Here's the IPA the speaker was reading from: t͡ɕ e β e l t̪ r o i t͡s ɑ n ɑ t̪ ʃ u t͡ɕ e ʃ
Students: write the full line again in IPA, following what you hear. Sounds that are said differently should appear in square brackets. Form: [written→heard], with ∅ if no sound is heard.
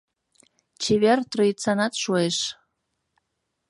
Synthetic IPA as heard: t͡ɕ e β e [l→r] t̪ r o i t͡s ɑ n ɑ t̪ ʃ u [t͡ɕ→∅] e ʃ